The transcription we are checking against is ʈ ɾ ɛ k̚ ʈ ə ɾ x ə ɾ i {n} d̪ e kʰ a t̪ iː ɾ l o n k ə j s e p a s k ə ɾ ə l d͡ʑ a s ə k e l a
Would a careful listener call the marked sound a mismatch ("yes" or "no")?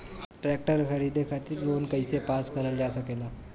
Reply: yes